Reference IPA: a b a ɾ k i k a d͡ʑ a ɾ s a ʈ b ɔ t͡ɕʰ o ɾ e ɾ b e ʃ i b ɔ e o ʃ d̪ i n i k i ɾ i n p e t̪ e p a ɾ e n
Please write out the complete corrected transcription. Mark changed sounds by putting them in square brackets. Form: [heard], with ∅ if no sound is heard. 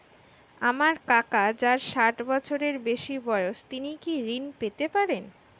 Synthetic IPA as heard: a [m] a ɾ k [a] k a d͡ʑ a ɾ [ʃ] a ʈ b ɔ t͡ɕʰ o ɾ e ɾ b e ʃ i b ɔ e o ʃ [t̪] i n i k i ɾ i n p e t̪ e p a ɾ e n

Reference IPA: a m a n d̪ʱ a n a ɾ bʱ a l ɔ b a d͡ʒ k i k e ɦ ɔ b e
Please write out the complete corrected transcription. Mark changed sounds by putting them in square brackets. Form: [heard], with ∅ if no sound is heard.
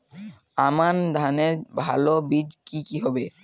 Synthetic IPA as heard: a m a n d̪ʱ a n [e] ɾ bʱ a l [o] b [i] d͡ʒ k i k [i] ɦ ɔ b e

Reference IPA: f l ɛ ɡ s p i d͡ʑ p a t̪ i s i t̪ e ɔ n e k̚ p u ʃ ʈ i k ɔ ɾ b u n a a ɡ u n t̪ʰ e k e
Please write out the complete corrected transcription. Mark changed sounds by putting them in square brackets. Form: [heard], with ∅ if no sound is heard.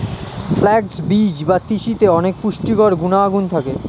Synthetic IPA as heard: f l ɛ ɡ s [b] i d͡ʑ [b] a t̪ i [ʃ] i t̪ e ɔ n e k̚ p u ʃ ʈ i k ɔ ɾ [ɡ] u n a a ɡ u n t̪ʰ [a] k e

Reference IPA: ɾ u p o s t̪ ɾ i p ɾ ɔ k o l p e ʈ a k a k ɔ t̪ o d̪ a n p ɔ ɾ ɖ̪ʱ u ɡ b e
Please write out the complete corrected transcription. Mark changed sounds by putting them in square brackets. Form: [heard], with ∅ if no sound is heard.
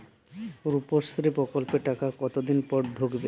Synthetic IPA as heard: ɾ u p o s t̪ ɾ i p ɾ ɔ k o l p e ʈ a k a k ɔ t̪ o d̪ [i] n p ɔ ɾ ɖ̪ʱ [o] ɡ b e

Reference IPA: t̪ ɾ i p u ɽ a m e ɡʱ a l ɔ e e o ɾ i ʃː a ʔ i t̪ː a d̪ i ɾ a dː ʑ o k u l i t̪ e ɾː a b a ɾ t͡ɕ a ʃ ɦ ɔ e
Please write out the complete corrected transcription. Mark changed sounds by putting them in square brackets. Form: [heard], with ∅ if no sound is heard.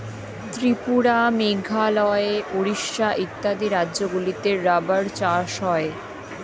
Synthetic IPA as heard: t̪ ɾ i p u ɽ a m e ɡʱ a l ɔ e e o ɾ i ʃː a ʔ i t̪ː a d̪ i ɾ a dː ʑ o [ɡ] u l i t̪ e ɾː a b a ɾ t͡ɕ a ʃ ɦ ɔ e

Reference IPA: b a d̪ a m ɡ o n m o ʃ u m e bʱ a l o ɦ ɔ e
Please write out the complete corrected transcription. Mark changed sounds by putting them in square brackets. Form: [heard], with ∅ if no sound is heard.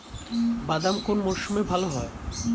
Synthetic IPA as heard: b a d̪ a m [k] o n m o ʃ u m e bʱ a l o ɦ ɔ e

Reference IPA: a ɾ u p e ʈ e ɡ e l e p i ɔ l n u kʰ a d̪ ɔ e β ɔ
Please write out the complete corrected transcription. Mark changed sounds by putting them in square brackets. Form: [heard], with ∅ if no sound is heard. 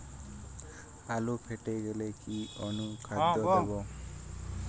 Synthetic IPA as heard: a [l] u [pʰ] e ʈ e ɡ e l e [k] i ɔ [∅] n u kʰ a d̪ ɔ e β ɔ

